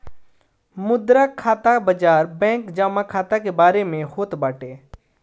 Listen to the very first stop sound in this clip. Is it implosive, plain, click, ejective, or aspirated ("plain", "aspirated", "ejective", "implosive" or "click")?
plain